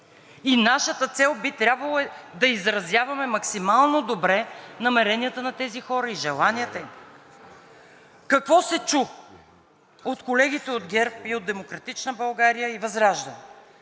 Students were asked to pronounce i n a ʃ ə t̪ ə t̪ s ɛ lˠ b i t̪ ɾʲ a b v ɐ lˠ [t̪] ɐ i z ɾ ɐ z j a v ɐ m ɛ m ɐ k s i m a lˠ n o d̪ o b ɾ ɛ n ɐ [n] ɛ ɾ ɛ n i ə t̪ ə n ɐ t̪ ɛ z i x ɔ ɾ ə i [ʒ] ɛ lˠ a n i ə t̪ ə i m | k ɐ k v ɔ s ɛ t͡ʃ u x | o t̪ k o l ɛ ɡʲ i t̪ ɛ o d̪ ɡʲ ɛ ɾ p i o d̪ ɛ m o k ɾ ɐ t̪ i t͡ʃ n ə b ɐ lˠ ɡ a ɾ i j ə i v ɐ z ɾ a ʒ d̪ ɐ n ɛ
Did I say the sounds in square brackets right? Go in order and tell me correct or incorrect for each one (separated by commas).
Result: incorrect, incorrect, correct